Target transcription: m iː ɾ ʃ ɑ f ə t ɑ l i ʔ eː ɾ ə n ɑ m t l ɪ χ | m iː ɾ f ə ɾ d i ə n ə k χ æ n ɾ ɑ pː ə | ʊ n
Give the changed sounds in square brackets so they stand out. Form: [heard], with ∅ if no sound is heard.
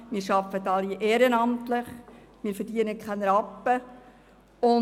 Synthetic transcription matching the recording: m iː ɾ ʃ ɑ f ə t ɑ l i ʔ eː ɾ ə n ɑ m t l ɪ χ | m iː ɾ f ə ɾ d i ə n ə k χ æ n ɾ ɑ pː ə | ʊ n